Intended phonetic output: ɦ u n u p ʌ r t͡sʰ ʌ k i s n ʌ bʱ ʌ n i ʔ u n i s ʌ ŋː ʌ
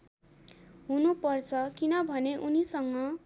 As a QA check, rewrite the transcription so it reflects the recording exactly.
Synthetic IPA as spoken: ɦ u n u p ʌ r t͡sʰ ʌ k i n ʌ bʱ ʌ n e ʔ u n i s ʌ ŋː ʌ